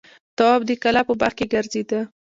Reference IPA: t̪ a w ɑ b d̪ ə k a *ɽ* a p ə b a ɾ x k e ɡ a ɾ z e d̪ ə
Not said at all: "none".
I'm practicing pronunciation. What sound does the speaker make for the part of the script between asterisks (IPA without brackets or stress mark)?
l